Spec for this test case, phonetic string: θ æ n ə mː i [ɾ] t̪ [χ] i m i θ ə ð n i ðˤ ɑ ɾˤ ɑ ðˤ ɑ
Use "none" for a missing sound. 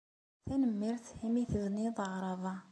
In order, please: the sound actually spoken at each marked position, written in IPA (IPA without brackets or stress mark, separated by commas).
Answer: ɾ, h